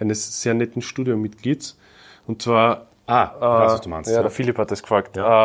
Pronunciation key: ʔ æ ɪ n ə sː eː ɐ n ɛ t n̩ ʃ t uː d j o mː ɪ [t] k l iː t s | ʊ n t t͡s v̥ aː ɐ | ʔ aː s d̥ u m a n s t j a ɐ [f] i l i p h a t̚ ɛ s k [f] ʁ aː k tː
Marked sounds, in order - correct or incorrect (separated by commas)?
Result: correct, correct, correct